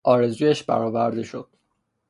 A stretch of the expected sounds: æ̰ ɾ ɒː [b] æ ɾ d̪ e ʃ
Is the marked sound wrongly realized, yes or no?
yes